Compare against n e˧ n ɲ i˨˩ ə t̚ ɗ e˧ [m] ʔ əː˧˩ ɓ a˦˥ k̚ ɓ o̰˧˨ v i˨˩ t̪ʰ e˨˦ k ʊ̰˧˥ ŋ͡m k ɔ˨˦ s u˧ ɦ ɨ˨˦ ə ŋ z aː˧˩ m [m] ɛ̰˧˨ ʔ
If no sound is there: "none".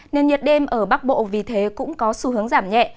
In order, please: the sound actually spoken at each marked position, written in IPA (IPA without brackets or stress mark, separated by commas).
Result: m, ɲ